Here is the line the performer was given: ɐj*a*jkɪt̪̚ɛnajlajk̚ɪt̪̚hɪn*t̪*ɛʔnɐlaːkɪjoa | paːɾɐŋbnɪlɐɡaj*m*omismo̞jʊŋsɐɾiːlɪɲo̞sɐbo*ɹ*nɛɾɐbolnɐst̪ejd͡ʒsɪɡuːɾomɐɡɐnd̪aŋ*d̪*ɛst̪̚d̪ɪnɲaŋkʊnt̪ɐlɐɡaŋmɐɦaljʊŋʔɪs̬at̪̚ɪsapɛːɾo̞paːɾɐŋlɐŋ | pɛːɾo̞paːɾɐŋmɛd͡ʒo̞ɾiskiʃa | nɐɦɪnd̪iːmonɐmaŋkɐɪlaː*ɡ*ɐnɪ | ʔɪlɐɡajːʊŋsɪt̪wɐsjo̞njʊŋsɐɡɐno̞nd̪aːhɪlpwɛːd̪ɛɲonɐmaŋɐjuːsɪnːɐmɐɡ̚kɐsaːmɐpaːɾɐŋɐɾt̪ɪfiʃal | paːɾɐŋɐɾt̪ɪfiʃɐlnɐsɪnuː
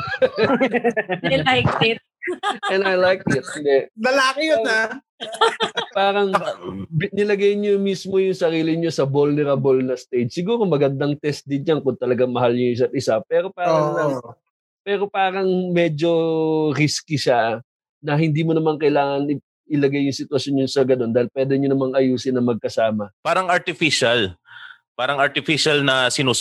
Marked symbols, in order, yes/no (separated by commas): yes, no, no, no, no, no